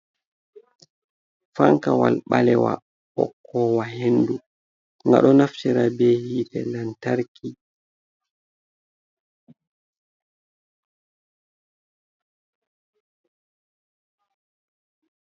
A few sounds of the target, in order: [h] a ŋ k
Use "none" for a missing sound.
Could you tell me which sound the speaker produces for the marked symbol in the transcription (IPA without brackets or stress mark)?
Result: f